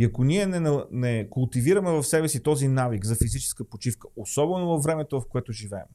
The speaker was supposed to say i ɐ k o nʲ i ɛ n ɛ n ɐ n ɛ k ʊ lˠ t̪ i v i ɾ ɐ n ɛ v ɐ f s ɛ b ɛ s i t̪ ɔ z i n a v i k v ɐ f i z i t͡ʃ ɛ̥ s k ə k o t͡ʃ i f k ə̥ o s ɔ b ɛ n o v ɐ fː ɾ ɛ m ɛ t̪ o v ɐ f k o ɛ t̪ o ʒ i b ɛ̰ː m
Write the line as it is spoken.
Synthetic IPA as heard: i ɐ k o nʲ i ɛ n ɛ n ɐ n ɛ k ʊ lˠ t̪ i v i ɾ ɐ m ɛ v ɐ f s ɛ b ɛ s i t̪ ɔ z i n a v i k z ɐ f i z i t͡ʃ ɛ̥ s k ə p o t͡ʃ i f k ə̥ o s ɔ b ɛ n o v ɐ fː ɾ ɛ m ɛ t̪ o v ɐ f k o ɛ t̪ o ʒ i v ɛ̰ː m